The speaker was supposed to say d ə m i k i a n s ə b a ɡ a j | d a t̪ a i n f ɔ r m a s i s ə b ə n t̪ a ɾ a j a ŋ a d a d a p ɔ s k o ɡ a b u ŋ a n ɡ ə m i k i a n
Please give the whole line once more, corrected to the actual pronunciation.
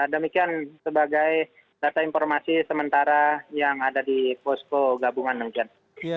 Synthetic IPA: d ə m i k i a n s ə b a ɡ a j | d a t̪ a i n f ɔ r m a s i s ə m ə n t̪ a ɾ a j a ŋ a d a d i p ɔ s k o ɡ a b u ŋ a n d ə m i k i a n